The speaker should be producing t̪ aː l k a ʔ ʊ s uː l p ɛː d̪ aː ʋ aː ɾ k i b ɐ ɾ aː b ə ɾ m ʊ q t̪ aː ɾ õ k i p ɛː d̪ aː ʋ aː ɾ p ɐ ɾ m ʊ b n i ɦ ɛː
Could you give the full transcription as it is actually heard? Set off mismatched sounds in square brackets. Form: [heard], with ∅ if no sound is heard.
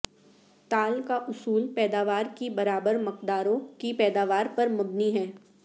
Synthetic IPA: t̪ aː l k a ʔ ʊ s uː l p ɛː d̪ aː ʋ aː ɾ k i b ɐ ɾ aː b ə ɾ m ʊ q [d̪] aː ɾ õ k i p ɛː d̪ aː ʋ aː ɾ p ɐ ɾ m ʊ b n i ɦ ɛː